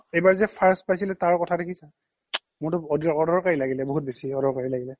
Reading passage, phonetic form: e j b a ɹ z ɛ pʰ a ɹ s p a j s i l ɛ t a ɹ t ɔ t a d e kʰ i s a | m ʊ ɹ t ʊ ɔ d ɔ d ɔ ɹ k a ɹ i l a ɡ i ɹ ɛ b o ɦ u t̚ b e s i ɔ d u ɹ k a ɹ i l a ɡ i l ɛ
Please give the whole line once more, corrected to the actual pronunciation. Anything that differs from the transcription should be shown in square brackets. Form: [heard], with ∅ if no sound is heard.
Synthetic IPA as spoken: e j b a ɹ z ɛ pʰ a ɹ s p a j s i l ɛ t a ɹ [k] ɔ [tʰ] a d e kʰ i s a | m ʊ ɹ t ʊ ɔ d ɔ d ɔ ɹ k a ɹ i l a ɡ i [l] ɛ b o ɦ u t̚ b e s i ɔ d [ɔ] ɹ k a ɹ i l a ɡ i l ɛ